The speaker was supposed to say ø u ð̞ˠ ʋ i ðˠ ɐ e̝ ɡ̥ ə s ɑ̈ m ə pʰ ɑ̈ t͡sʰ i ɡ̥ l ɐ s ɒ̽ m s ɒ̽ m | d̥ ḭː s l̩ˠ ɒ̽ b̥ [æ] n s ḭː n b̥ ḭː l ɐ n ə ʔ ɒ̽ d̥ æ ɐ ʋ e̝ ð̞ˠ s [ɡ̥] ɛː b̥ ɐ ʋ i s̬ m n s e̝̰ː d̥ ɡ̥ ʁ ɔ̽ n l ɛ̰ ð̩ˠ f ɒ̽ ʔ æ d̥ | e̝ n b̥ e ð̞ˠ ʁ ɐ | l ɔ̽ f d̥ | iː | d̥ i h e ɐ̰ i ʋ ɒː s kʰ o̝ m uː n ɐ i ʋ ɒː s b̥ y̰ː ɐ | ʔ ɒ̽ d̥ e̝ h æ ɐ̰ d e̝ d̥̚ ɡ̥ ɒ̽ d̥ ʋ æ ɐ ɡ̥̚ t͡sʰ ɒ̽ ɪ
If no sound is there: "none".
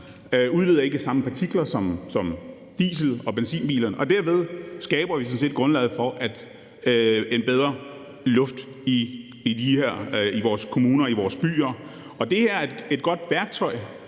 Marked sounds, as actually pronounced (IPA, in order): e, ɡ̥

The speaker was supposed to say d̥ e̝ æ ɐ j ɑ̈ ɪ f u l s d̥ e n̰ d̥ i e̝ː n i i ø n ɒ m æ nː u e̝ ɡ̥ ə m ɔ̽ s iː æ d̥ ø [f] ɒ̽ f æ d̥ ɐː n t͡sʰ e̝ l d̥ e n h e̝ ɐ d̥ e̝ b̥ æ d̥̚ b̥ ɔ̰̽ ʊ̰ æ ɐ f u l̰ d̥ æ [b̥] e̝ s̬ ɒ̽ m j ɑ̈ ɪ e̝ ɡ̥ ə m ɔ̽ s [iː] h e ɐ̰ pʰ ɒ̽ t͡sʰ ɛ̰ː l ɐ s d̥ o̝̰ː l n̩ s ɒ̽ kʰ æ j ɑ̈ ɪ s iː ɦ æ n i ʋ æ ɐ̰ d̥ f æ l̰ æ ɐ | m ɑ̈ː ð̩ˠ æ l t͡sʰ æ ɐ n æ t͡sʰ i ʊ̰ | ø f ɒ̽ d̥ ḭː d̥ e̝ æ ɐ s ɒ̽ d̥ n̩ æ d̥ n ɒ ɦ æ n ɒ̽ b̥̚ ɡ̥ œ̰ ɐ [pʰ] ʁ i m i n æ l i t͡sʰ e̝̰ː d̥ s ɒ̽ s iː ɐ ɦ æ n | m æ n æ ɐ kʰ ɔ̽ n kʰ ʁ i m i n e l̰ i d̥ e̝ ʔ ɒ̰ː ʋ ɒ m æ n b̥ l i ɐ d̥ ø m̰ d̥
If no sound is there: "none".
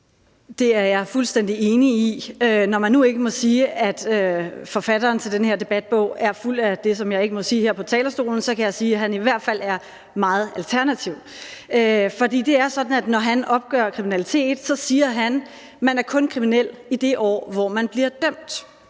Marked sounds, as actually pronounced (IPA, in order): f, d̥, iː, kʰ

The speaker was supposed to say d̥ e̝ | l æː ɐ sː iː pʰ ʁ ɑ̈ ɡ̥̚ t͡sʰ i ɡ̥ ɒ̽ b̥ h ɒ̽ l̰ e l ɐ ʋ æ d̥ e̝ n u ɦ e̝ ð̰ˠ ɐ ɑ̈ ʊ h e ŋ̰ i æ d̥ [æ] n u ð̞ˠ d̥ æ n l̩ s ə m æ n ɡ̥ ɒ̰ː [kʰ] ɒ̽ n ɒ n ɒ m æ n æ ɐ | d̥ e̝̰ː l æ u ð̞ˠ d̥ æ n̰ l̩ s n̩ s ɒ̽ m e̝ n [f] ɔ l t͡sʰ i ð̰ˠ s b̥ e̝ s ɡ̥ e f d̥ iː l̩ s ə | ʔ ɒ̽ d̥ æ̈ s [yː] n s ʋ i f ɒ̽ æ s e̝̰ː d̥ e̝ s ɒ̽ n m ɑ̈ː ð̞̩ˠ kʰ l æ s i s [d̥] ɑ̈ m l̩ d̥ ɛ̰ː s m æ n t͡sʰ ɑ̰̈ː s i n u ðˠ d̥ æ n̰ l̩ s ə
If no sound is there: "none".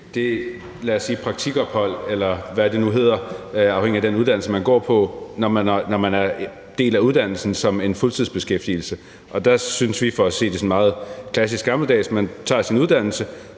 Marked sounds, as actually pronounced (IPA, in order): e, pʰ, f, y, ɡ̥

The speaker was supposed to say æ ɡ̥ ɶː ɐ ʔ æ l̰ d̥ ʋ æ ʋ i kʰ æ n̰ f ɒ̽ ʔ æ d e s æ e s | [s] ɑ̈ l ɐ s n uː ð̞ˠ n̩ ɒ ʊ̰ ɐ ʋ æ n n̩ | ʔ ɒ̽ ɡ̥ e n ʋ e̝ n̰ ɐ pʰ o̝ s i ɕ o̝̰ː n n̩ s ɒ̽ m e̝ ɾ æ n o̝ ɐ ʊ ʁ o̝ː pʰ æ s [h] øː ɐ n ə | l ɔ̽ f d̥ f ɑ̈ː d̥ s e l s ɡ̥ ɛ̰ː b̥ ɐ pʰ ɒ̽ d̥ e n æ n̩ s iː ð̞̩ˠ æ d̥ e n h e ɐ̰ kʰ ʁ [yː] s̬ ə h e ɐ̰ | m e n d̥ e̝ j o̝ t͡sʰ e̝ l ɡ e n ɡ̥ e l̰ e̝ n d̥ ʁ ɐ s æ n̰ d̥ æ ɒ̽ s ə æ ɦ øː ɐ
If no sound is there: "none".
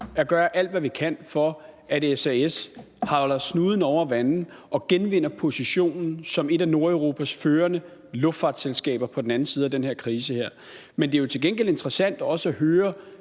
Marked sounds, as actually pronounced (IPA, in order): h, f, iː

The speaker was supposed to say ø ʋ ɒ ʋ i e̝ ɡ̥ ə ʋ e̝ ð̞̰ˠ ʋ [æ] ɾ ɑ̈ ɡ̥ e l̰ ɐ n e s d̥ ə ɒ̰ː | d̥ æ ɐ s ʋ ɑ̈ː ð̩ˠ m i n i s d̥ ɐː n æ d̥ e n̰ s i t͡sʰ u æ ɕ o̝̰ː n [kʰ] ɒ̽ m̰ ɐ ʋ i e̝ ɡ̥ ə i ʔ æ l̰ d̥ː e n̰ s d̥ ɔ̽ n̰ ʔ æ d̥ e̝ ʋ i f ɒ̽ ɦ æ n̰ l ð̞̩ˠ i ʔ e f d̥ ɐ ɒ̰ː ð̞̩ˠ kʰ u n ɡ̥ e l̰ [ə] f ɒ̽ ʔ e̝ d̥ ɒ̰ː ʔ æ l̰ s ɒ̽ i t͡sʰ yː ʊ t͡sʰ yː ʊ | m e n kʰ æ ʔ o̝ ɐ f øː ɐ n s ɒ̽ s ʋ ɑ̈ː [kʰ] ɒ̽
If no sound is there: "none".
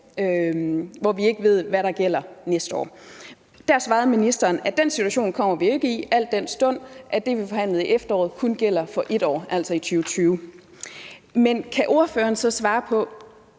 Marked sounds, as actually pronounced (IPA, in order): æ, kʰ, ɐ, pʰ

